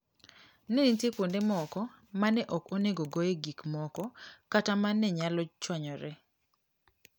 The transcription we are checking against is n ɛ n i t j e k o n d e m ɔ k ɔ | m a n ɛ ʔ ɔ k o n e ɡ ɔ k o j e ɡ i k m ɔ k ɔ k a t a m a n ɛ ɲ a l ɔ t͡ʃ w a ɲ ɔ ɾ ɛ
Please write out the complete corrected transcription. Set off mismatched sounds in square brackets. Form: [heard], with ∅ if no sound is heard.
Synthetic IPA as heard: n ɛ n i t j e k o n d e m ɔ k ɔ | m a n ɛ ʔ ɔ k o n e ɡ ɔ [ɡ] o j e ɡ i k m ɔ k ɔ k a t a m a n ɛ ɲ a l ɔ t͡ʃ w a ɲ ɔ ɾ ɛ

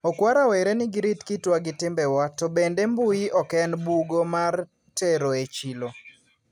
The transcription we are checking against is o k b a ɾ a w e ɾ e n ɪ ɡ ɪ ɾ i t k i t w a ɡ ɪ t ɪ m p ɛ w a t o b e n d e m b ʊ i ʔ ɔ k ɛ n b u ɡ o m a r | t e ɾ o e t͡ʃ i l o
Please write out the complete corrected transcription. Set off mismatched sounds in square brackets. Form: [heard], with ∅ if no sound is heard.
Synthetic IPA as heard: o k [w] a ɾ a w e ɾ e n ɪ ɡ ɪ ɾ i t k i t w a ɡ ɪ t ɪ m [b] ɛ w a t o b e n d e m b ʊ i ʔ ɔ k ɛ n b u ɡ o m a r | t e ɾ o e t͡ʃ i l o

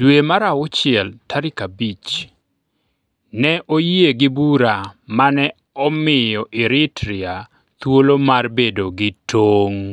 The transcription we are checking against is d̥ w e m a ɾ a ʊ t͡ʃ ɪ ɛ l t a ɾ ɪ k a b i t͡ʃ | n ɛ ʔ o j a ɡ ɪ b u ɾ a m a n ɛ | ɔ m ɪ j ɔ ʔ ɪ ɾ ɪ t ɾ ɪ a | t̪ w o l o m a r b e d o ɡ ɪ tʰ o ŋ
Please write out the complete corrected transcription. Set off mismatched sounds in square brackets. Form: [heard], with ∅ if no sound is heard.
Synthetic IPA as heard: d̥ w e m a ɾ a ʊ t͡ʃ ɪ ɛ l t a ɾ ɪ k a b i t͡ʃ | n ɛ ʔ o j [e] ɡ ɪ b u ɾ a m a n ɛ | ɔ m ɪ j ɔ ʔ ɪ ɾ ɪ t ɾ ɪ a | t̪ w o l o m a r b e d o ɡ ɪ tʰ o ŋ

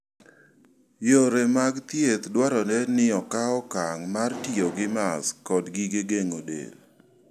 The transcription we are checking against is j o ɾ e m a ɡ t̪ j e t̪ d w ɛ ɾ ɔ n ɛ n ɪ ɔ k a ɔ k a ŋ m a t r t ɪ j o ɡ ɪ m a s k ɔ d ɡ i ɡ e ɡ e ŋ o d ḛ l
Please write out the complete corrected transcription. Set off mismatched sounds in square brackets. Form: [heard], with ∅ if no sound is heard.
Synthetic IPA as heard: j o ɾ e m a ɡ t̪ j e t̪ d w [a] ɾ ɔ n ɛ n ɪ ɔ k a ɔ k a ŋ m a [∅] r t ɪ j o ɡ ɪ m a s k ɔ d ɡ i ɡ e ɡ e ŋ o d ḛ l

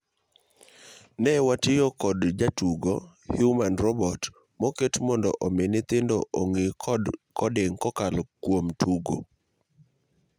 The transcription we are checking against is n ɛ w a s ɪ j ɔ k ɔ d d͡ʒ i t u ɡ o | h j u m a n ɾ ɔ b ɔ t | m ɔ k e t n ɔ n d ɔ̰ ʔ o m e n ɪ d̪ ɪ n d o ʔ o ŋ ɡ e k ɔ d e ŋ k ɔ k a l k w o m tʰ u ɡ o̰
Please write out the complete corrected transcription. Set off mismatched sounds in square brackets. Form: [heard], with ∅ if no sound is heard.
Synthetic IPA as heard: n ɛ w a [t] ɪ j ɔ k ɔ d d͡ʒ [a] t u ɡ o | h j u m a n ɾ ɔ b ɔ t | m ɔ k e t [m] ɔ n d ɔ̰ ʔ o m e n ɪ [t̪] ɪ n d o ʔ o ŋ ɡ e k ɔ d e ŋ k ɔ k a l k w o m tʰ u ɡ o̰

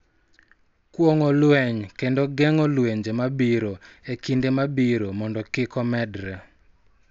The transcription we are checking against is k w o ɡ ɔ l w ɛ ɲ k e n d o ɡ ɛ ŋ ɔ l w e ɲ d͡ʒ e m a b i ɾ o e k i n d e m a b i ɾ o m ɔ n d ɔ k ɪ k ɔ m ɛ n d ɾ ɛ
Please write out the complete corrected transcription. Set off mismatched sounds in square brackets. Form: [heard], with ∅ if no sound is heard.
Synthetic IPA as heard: k w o [ŋ] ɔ l w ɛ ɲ k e n d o ɡ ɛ ŋ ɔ l w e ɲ d͡ʒ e m a b i ɾ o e k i n d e m a b i ɾ o m ɔ n d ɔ k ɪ k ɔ m ɛ [∅] d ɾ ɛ

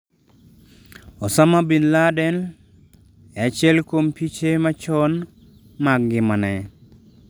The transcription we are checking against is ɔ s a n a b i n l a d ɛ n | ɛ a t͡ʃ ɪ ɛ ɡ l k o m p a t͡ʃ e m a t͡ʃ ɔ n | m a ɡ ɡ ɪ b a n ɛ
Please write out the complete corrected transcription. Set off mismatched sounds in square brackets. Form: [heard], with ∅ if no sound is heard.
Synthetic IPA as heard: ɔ s a [m] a b i n l a d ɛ n | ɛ a t͡ʃ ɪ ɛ [∅] l k o m p [i] t͡ʃ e m a t͡ʃ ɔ n | m a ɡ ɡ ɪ [m] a n ɛ

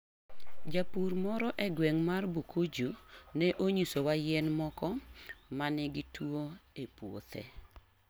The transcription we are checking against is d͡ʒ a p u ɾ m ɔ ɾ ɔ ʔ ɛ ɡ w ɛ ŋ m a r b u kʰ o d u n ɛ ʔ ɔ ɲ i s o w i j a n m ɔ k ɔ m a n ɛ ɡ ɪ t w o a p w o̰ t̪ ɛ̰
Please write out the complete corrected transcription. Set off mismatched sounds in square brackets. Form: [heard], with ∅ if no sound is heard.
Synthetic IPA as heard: d͡ʒ a p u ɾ m ɔ ɾ ɔ ʔ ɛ ɡ w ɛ ŋ m a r b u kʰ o [d͡ʒ] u n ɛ ʔ [o] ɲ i s o w [a] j [ɛ] n m ɔ k ɔ m a n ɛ ɡ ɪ t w o [e] p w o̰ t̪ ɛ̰

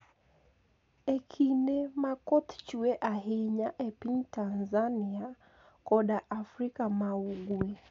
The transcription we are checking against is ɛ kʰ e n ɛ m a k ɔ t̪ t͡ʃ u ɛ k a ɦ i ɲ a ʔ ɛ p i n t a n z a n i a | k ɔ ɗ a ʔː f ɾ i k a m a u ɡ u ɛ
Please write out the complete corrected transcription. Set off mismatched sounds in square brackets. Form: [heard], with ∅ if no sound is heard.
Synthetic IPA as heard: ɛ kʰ [i] n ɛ m a k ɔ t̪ t͡ʃ u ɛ [ʔ] a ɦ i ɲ a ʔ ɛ p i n t a n z a n i a | k ɔ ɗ a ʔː f ɾ i k a m a u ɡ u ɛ

